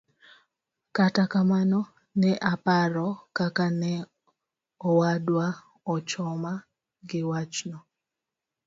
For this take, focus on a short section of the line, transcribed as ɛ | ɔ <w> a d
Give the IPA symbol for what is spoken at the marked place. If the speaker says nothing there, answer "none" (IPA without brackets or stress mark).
w